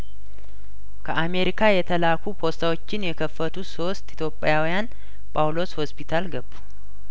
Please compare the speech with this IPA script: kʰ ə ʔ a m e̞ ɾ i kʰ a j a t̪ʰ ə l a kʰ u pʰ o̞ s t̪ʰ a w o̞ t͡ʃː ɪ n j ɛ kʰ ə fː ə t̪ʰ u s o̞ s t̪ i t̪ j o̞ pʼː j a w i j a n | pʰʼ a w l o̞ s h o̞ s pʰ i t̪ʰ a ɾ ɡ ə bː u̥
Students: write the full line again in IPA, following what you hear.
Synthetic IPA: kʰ ə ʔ a m e̞ ɾ i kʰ a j ɛ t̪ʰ ə l a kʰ u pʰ o̞ s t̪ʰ a w o̞ t͡ʃː ɪ n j ɛ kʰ ə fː ə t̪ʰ u s o̞ s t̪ i t̪ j o̞ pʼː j a w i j a n | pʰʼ a w l o̞ s h o̞ s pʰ i t̪ʰ a l ɡ ə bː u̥